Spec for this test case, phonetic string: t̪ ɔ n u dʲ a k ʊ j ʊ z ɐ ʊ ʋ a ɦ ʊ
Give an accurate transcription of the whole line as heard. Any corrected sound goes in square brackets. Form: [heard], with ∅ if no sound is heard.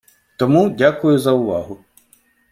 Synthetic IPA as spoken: t̪ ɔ [m] u dʲ a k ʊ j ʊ z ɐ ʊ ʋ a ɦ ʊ